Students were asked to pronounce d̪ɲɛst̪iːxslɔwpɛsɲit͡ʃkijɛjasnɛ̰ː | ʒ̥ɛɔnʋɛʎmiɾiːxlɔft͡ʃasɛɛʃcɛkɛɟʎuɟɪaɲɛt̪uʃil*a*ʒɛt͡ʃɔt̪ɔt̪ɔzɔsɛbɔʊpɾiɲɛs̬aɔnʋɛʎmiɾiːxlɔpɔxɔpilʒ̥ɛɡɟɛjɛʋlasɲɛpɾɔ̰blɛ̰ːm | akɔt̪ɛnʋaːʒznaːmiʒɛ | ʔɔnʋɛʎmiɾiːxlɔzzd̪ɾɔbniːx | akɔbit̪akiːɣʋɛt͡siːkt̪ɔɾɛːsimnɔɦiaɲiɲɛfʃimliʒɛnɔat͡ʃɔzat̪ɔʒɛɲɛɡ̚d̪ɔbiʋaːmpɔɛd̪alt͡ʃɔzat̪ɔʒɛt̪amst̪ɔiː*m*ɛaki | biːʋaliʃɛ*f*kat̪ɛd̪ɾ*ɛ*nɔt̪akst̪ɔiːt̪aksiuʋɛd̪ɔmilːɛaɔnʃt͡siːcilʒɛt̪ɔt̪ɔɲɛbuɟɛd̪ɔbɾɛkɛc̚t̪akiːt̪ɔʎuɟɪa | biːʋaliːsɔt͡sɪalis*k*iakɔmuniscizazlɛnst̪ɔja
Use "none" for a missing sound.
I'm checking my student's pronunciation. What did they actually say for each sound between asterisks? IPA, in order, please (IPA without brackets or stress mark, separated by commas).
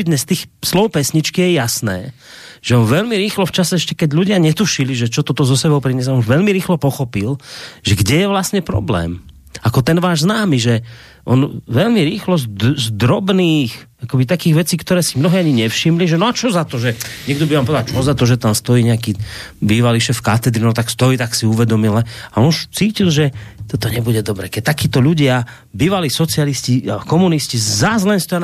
i, ɲ, f, i, c